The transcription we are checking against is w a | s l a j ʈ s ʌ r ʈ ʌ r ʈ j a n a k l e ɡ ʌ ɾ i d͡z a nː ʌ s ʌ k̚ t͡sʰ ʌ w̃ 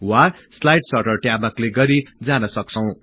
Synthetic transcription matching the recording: w a | s l a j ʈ s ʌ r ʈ ʌ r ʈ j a m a k l e ɡ ʌ ɾ i d͡z a n ʌ s ʌ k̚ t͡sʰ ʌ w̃